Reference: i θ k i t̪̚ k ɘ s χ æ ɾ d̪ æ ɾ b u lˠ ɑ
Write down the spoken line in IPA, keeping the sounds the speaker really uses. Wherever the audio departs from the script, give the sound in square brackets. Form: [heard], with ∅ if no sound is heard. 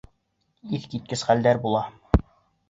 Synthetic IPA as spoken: i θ k i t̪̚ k ɘ s χ æ [l] d̪ æ ɾ b u lˠ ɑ